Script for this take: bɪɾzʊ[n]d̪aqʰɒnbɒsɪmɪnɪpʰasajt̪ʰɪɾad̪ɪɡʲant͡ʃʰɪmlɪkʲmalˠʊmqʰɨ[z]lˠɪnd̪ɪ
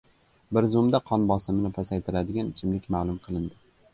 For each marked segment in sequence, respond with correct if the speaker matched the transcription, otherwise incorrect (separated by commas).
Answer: incorrect, incorrect